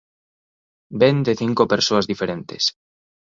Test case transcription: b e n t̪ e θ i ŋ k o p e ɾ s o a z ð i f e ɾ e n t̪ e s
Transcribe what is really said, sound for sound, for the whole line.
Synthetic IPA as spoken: b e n d̪ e θ i ŋ k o p e ɾ s o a z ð i f e ɾ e n t̪ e s

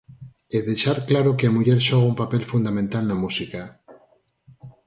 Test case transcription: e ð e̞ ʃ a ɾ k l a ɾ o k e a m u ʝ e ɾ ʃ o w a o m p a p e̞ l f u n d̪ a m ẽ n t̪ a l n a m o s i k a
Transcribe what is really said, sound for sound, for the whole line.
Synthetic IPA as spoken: e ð e̞ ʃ a ɾ k l a ɾ o k e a m u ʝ e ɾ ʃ o ɣ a u m p a p e̞ l f u n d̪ a m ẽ n t̪ a l n a m u s i k a

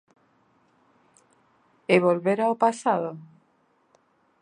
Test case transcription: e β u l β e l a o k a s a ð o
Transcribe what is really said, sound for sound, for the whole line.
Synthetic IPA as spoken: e β o l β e ɾ a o p a s a ð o

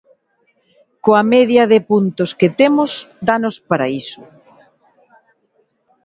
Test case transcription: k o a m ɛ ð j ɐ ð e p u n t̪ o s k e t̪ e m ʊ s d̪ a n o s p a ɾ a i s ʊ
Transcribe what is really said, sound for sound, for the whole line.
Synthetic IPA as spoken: k o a m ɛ ð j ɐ ð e p u n t̪ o s k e t̪ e m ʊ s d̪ a n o s p a ɾ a i s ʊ

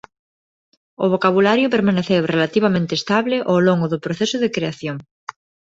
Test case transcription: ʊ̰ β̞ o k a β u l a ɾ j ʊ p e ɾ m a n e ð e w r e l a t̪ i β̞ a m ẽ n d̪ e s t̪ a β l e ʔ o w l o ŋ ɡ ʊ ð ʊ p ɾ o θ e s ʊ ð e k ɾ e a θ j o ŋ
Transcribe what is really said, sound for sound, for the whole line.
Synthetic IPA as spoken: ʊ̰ β̞ o k a β u l a ɾ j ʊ p e ɾ m a n e θ e w r e l a t̪ i β̞ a m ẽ n t̪ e s t̪ a β l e ʔ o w l o ŋ ɡ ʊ ð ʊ p ɾ o θ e s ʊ ð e k ɾ e a θ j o ŋ

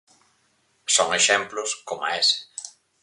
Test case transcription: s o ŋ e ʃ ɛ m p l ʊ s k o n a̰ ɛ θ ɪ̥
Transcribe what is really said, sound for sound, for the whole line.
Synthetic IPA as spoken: s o ŋ e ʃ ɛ m p l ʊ s k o m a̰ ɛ s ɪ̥

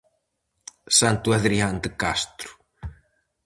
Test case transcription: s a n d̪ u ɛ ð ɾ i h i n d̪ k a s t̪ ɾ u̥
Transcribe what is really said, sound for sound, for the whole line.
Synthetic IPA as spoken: s a n t̪ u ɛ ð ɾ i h a n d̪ k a s t̪ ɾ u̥

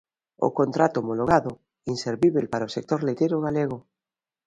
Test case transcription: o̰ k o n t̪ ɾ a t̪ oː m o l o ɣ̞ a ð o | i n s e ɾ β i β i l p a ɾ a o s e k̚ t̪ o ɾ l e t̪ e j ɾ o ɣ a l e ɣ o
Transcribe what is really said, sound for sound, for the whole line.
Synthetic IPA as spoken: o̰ k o n t̪ ɾ a t̪ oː m o l o ɣ̞ a ð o | i n s e ɾ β i β e l p a ɾ a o s e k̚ t̪ o ɾ l e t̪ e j ɾ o ɣ a l e ɣ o

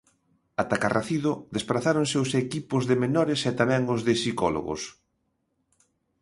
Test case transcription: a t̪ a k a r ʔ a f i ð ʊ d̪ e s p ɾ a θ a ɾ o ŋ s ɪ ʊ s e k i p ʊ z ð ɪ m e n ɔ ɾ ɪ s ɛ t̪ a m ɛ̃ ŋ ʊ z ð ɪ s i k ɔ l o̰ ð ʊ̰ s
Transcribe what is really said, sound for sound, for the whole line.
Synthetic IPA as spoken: a t̪ a k a r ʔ a θ i ð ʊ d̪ e s p ɾ a θ a ɾ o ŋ s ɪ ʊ s e k i p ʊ z ð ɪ m e n ɔ ɾ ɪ s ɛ t̪ a m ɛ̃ ŋ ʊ z ð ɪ s i k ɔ l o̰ ɣ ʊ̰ s

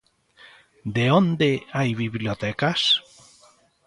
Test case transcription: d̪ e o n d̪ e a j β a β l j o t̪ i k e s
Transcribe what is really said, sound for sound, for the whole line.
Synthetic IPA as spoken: d̪ e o n d̪ e a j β i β l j o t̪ ɛ k a s

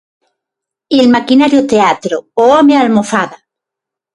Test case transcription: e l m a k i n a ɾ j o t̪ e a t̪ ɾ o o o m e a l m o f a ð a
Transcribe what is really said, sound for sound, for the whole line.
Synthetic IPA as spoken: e l m a k i n a ɾ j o t̪ e a t̪ ɾ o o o m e a l m o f a ð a

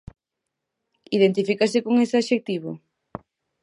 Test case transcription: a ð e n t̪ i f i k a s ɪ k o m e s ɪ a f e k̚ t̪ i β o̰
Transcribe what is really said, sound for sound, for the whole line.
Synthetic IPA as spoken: i ð e n t̪ i f i k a s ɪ k o ŋ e s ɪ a ʃ e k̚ t̪ i β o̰

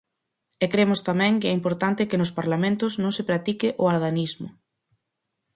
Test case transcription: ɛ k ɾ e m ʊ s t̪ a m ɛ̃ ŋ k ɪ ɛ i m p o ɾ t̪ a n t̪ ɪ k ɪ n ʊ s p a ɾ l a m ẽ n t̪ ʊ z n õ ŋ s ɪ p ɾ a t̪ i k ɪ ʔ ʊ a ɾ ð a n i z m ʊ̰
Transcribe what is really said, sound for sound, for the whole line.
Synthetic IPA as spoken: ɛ k ɾ e m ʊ s t̪ a m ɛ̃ ŋ k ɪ ɛ i m p o ɾ t̪ a n t̪ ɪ k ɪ n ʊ s p a ɾ l a m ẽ n t̪ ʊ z n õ ŋ s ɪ p ɾ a t̪ i k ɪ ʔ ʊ a ɾ ð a n i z m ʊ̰

